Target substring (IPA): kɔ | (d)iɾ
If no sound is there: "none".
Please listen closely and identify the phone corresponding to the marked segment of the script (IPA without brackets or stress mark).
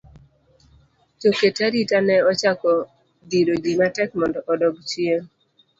d